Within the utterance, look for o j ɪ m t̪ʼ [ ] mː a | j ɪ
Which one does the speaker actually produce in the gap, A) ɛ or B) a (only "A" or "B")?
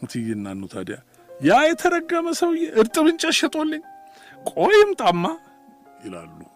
B